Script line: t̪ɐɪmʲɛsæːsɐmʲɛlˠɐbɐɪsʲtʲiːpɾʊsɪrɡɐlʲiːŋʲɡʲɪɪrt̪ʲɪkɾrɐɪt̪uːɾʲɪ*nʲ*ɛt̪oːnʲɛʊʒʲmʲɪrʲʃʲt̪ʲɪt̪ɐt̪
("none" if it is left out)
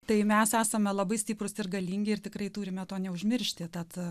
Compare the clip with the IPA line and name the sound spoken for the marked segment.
mʲ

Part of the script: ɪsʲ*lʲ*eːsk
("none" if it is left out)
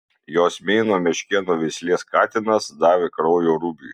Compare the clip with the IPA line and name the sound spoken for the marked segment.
lʲ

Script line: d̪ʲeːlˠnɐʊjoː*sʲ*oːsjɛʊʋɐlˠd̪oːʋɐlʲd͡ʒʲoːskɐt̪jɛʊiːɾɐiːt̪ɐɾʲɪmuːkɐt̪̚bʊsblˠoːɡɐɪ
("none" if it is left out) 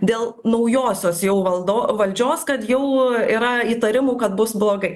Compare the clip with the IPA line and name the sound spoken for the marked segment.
sʲ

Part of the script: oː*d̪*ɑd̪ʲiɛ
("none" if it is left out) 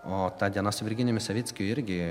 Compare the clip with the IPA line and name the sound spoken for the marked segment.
t̪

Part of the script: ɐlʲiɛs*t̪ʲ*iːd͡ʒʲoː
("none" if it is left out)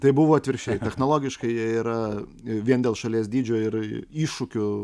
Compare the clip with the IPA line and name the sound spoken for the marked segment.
d̪ʲ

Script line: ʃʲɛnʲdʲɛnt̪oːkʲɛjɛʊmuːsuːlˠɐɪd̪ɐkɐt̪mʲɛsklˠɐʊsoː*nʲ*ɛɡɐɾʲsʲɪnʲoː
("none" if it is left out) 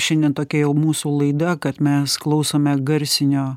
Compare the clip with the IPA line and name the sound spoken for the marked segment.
mʲ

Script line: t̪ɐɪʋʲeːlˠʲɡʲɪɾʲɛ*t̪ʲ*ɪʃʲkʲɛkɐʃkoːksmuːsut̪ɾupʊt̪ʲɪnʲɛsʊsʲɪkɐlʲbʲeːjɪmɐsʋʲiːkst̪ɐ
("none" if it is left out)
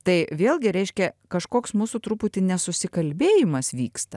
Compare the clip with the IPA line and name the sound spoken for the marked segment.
none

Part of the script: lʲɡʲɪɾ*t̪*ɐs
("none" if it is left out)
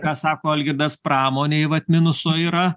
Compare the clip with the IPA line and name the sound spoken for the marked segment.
d̪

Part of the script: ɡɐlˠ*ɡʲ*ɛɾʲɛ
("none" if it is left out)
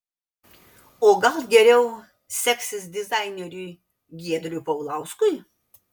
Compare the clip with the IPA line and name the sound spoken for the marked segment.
ɡʲ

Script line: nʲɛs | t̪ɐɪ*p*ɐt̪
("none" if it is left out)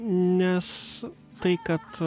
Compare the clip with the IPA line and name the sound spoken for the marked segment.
k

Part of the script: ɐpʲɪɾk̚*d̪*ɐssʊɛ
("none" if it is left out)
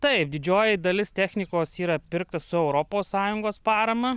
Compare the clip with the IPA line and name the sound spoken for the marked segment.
t̪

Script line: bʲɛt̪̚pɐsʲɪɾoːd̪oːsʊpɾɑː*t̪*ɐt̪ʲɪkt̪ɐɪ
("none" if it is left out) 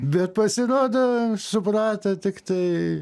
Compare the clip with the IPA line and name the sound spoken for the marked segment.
t̪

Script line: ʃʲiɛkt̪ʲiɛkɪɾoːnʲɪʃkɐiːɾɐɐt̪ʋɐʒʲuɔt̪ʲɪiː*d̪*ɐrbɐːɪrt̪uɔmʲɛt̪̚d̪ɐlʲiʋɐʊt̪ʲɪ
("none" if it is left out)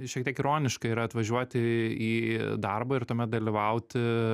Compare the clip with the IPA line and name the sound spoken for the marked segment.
d̪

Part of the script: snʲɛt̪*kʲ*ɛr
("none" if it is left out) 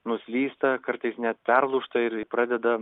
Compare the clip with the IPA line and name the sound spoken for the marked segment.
pʲ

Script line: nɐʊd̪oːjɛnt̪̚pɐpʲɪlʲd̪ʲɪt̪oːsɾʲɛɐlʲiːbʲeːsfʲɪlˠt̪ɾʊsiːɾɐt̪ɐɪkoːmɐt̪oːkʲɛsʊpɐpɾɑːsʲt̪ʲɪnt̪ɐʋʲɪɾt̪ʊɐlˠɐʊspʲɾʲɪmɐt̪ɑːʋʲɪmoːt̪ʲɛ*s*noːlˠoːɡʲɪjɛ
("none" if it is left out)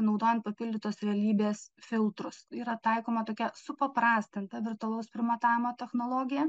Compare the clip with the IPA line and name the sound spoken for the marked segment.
x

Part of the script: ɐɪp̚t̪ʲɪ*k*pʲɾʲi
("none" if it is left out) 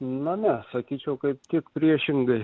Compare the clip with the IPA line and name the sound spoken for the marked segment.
k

